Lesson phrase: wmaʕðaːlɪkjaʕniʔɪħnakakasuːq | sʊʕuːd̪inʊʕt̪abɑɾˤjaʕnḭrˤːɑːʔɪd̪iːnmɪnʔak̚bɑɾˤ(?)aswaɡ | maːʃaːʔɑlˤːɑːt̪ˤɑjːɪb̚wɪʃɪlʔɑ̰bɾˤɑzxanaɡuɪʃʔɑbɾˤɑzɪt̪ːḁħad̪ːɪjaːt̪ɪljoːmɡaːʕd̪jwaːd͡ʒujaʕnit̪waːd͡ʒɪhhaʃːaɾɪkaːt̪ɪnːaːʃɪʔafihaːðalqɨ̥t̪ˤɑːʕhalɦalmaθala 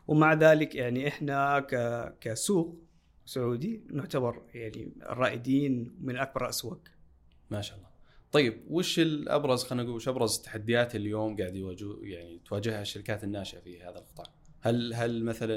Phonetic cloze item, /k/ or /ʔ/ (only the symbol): ʔ